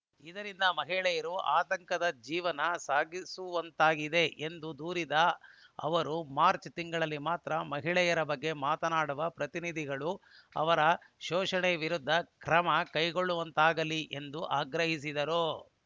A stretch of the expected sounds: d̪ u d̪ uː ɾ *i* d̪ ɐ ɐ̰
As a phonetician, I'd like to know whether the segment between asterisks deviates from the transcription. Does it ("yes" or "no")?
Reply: no